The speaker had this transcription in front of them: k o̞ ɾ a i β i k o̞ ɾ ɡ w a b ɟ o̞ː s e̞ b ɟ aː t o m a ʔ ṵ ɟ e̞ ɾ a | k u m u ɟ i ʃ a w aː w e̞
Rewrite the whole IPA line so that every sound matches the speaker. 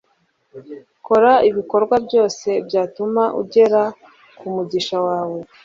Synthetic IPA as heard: k o̞ ɾ a i β i k o̞ ɾ ɡ w a b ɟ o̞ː s e̞ b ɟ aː t u m a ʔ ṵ ɟ e̞ ɾ a | k u m u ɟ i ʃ a w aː w e̞

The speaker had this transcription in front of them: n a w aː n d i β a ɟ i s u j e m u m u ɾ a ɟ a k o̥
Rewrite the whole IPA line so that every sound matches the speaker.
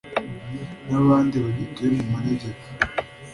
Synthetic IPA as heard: n a β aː n d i β a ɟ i t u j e m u m u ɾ e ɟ e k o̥

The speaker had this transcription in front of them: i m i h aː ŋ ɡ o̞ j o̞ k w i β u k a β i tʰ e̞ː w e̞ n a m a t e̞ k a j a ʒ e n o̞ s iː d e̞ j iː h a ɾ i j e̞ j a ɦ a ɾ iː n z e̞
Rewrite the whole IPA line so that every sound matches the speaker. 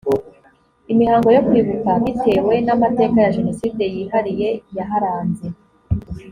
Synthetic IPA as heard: i m i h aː ŋ ɡ o̞ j o̞ k w i β u k a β i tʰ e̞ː w e̞ n a m a t e̞ k a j a ʒ e n o̞ s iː d e̞ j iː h a ɾ i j e̞ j a ɦ a ɾ aː n z e̞

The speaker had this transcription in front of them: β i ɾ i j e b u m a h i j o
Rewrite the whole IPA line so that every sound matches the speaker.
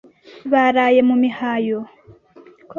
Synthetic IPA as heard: β a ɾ a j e m u m i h a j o

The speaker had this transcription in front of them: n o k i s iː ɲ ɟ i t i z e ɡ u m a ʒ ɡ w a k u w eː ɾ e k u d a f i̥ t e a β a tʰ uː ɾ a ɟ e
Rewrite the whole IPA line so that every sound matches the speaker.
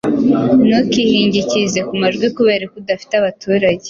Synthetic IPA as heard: n o k i h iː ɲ ɟ i c i z e k u m a ʒ ɡ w i k u β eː ɾ e k u d a f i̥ t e a β a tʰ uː ɾ a ɟ e

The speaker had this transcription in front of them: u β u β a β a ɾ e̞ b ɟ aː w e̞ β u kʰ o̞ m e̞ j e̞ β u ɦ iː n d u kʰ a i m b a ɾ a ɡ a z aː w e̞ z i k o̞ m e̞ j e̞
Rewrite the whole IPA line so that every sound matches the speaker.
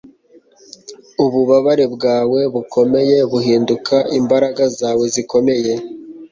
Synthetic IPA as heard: u β u β a β a ɾ e̞ b ɡ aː w e̞ β u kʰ o̞ m e̞ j e̞ β u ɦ iː n d u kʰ a i m b a ɾ a ɡ a z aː w e̞ z i k o̞ m e̞ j e̞

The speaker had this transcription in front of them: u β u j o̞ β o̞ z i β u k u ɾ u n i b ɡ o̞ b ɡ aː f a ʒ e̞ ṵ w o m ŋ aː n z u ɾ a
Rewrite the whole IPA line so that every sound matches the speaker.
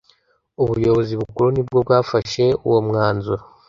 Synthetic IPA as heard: u β u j o̞ β o̞ z i β u k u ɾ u n i b ɡ o̞ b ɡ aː f a ʃ e̞ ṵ w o m ŋ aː n z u ɾ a

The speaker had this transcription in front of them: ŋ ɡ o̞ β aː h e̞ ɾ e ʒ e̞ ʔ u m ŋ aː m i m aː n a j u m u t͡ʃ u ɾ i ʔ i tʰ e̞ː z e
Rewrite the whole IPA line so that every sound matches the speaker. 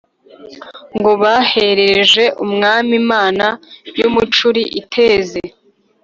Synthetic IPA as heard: ŋ ɡ o̞ β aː h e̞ ɾ e ʒ e̞ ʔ u m ŋ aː m i m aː n a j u m u t͡ʃ u ɾ i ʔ i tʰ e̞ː z e

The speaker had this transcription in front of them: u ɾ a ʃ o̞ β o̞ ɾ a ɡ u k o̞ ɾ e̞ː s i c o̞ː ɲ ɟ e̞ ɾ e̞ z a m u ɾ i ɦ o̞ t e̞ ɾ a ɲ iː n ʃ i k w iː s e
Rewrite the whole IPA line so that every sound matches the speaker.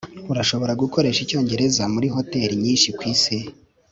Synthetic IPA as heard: u ɾ a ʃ o̞ β o̞ ɾ a ɡ u k o̞ ɾ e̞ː ʃ i c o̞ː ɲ ɟ e̞ ɾ e̞ z a m u ɾ i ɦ o̞ t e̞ ɾ i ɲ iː n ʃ i k w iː s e

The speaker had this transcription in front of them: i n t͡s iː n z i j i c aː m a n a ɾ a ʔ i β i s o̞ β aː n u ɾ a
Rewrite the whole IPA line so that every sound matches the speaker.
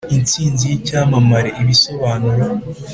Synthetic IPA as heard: i n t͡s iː n z i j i c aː m a m a ɾ e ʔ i β i s o̞ β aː n u ɾ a

